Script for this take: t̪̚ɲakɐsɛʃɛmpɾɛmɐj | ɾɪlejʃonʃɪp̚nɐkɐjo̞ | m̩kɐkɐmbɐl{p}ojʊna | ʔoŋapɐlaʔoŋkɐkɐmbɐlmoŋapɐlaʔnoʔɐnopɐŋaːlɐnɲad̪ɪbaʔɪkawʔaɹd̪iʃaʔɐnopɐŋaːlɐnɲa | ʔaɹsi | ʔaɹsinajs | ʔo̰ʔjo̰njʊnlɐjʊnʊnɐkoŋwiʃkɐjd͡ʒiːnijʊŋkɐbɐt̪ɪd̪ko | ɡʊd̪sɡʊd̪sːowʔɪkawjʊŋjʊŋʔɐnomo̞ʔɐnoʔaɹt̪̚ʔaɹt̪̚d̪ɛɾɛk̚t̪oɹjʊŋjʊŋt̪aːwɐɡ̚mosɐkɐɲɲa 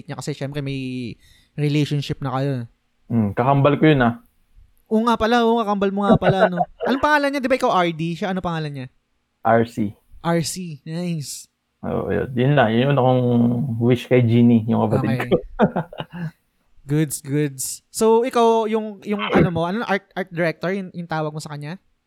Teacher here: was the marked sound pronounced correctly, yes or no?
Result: no